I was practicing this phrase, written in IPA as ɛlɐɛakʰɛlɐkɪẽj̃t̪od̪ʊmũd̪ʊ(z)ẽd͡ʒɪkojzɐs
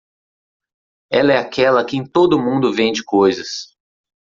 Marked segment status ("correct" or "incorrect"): incorrect